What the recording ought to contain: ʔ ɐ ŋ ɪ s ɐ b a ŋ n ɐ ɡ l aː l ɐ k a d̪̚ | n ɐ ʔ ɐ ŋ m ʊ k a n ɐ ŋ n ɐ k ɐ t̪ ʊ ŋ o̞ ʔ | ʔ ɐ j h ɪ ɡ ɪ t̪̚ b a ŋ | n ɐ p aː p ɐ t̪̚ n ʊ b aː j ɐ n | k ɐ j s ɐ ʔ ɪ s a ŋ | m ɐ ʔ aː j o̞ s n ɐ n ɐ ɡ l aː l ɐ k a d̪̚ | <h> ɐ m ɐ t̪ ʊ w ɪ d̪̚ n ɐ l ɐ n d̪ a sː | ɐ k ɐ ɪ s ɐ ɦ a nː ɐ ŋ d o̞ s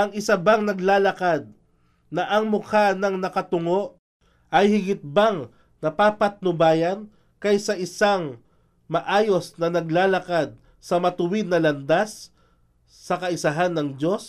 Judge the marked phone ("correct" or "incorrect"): incorrect